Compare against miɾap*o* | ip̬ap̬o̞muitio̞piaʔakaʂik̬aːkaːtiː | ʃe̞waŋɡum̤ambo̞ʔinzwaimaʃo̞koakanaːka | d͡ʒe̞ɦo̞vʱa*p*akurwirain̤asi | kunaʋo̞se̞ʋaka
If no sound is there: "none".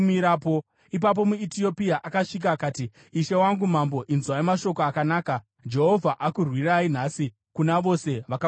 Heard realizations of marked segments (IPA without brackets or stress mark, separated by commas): o, ʔ